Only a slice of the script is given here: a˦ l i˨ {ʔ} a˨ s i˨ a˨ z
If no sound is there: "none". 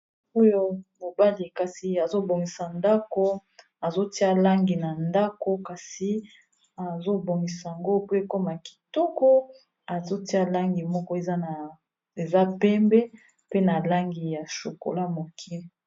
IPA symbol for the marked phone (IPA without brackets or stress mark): k